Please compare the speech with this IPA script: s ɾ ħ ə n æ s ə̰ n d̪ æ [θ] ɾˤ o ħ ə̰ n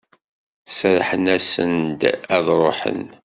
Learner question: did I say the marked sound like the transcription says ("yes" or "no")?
no